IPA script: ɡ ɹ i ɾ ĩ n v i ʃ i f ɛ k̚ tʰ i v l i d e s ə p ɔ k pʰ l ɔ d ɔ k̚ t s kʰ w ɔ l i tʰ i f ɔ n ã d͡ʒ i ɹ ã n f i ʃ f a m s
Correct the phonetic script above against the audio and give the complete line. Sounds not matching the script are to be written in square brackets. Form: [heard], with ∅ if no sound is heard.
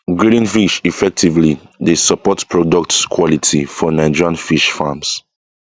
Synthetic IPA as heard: ɡ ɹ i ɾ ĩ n [f] i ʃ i f ɛ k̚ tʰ i v l i d e s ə p ɔ [t] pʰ [ɹ] ɔ d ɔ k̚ t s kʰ w ɔ l i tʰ i f ɔ n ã d͡ʒ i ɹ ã n f i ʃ f a m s